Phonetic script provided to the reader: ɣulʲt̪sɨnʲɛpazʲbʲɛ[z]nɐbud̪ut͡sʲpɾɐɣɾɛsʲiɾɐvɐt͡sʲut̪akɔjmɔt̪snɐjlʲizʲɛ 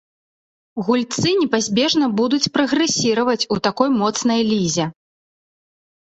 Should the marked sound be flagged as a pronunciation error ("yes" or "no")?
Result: yes